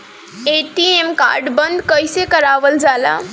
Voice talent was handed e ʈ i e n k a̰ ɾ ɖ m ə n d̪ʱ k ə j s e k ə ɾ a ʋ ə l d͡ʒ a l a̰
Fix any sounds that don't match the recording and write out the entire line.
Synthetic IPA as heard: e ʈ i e m k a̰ ɾ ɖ b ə n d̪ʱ k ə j s e k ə ɾ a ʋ ə l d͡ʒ a l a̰